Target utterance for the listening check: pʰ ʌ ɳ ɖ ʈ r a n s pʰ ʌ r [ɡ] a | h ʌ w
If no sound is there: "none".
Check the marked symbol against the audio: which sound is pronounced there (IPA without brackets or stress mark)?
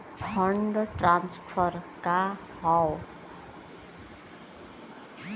k